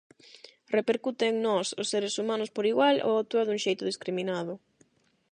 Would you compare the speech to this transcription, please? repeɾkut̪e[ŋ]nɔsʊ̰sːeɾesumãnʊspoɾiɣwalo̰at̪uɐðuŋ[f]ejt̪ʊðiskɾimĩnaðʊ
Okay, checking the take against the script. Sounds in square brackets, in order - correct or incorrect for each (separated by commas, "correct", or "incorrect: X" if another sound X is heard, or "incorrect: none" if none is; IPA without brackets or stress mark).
correct, incorrect: ʃ